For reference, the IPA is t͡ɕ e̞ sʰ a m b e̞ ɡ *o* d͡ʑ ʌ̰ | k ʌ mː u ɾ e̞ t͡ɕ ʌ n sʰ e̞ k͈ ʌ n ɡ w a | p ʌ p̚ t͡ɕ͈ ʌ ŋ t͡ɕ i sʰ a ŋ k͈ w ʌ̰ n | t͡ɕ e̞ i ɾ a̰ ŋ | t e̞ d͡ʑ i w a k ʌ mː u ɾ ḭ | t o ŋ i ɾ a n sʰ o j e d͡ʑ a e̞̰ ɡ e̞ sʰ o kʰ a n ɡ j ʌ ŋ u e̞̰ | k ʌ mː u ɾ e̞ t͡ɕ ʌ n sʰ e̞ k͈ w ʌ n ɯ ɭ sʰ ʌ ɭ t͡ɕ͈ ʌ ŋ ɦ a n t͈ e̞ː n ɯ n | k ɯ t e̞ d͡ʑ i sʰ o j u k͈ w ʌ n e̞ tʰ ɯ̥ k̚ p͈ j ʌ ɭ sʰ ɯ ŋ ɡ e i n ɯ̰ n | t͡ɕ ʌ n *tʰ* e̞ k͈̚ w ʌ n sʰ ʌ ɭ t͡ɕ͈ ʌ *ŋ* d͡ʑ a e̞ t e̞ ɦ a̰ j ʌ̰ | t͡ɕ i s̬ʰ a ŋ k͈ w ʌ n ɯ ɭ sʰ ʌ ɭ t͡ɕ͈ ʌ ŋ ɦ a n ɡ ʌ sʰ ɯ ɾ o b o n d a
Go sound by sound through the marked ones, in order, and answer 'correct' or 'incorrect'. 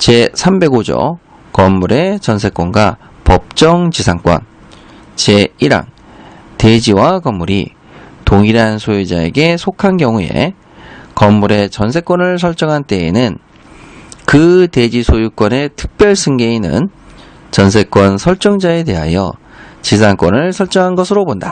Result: correct, incorrect, correct

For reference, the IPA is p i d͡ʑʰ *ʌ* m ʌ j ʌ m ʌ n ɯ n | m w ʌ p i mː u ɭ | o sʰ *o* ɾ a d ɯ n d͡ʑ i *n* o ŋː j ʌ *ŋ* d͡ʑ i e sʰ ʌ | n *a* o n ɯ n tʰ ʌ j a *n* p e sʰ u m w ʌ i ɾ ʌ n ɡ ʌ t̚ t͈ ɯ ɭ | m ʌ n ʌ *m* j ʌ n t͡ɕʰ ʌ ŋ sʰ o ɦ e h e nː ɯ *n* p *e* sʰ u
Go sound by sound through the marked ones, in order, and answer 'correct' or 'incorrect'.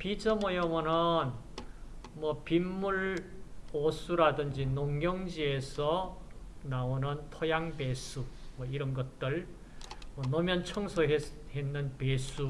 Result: correct, incorrect, correct, correct, correct, incorrect, correct, correct, correct

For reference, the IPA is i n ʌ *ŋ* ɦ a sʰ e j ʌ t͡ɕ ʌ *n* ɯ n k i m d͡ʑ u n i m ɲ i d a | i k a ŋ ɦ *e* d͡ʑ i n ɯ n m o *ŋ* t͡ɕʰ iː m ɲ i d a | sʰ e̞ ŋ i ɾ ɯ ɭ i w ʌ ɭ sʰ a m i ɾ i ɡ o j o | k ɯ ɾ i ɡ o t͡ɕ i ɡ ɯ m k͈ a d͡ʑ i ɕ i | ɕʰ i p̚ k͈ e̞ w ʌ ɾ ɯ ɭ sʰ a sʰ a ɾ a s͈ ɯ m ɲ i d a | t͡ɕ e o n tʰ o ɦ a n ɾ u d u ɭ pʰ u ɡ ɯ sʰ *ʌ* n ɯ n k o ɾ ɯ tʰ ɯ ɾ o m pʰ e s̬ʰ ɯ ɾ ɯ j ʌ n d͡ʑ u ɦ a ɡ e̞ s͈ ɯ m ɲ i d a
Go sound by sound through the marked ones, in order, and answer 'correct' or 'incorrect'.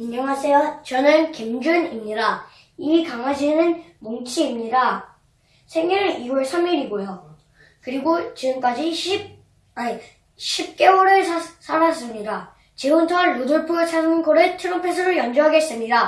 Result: correct, correct, incorrect, correct, incorrect

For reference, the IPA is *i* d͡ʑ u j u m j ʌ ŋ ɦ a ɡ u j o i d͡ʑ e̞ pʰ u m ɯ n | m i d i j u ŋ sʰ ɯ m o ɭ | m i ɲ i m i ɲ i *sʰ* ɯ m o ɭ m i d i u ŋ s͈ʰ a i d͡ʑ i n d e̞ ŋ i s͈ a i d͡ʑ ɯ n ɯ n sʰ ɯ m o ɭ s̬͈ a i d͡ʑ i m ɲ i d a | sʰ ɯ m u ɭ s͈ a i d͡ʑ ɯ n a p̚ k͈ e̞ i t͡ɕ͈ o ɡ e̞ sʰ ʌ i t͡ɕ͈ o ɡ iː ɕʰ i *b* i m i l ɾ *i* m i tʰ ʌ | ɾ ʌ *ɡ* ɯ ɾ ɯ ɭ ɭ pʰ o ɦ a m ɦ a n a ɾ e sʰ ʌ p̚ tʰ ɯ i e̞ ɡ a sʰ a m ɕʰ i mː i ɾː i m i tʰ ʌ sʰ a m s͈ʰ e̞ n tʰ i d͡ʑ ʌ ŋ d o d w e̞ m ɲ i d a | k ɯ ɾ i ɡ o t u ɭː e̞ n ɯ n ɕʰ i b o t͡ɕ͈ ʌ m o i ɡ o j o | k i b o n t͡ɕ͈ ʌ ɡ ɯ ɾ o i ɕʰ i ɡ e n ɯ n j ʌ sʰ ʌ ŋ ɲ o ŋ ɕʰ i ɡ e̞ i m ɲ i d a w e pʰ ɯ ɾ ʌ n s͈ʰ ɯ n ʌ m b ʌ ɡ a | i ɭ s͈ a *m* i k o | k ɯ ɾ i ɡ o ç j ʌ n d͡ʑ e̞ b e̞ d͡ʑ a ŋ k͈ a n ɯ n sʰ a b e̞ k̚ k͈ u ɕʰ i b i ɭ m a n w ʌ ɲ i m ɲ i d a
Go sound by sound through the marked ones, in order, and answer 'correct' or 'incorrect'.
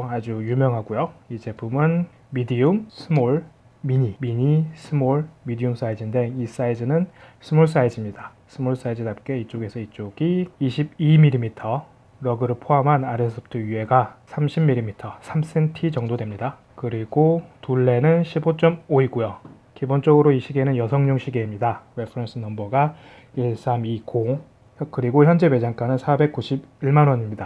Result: incorrect, correct, correct, correct, correct, correct

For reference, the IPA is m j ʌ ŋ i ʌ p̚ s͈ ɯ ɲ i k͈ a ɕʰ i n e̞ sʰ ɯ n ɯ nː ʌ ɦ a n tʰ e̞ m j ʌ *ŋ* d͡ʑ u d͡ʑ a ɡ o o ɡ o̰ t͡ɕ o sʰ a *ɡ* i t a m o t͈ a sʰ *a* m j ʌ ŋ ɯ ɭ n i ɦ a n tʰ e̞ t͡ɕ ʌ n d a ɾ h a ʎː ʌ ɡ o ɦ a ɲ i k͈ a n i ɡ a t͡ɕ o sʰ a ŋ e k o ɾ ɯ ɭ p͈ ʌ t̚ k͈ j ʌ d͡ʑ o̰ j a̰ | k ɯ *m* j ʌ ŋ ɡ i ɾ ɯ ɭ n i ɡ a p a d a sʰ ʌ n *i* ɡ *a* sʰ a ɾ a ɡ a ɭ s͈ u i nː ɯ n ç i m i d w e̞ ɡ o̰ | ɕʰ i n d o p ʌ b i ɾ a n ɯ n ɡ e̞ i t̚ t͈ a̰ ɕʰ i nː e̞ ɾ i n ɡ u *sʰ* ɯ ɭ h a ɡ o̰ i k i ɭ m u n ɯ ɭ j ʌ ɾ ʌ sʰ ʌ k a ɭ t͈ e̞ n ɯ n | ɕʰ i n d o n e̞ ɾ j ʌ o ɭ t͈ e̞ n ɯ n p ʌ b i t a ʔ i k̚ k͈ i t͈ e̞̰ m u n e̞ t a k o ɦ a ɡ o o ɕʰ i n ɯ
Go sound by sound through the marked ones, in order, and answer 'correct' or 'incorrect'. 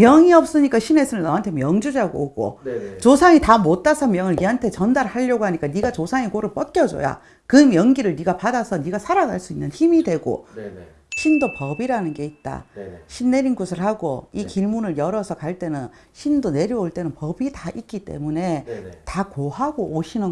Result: correct, incorrect, incorrect, correct, correct, correct, correct

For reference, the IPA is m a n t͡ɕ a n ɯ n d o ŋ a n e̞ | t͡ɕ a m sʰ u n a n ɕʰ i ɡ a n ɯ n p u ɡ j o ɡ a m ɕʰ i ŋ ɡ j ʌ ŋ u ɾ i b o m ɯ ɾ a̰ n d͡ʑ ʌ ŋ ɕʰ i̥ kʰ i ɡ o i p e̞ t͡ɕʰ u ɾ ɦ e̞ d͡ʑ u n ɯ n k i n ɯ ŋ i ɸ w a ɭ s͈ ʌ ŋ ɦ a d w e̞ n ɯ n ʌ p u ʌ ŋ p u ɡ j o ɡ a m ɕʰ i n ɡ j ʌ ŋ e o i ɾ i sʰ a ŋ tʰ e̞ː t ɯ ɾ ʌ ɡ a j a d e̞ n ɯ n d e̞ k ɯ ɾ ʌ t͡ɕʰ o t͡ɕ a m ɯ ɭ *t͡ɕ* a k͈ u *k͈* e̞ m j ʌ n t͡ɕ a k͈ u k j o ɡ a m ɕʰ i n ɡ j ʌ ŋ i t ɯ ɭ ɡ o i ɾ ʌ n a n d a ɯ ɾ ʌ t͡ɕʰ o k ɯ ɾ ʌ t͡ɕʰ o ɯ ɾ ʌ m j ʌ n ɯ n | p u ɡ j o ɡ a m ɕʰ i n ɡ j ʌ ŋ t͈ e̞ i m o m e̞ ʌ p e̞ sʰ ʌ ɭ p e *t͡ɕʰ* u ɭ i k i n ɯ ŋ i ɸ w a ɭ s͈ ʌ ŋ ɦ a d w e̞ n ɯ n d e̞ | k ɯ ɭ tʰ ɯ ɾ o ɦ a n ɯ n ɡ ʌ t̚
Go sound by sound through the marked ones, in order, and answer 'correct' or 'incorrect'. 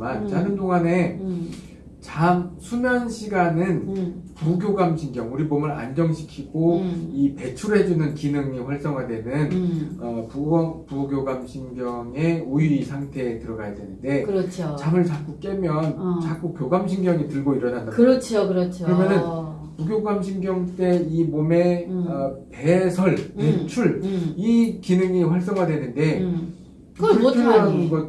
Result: correct, correct, correct

